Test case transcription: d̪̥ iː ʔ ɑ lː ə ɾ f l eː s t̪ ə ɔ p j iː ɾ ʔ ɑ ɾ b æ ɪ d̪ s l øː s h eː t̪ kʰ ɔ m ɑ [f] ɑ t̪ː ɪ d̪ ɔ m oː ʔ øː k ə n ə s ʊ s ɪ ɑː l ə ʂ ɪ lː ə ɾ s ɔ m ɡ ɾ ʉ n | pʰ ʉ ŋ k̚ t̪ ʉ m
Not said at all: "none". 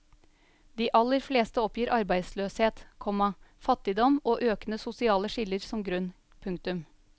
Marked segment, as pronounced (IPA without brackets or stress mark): f